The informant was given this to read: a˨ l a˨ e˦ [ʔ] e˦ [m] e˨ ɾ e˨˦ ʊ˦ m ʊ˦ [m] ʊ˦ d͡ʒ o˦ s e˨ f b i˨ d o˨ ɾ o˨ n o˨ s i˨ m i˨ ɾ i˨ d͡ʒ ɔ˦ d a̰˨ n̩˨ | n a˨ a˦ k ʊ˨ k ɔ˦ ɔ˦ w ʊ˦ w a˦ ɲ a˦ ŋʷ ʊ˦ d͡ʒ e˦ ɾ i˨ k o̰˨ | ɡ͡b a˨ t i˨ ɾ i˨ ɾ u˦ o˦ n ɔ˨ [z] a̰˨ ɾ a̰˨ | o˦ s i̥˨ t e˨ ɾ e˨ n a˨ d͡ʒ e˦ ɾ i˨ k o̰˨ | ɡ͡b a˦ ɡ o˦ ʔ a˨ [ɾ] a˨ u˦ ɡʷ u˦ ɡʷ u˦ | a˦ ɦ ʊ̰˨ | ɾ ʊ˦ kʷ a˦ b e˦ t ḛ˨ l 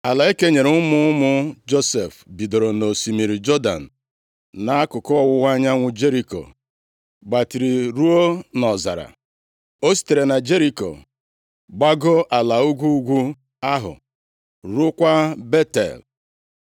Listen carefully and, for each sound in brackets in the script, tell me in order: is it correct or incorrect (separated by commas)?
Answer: incorrect, incorrect, correct, correct, incorrect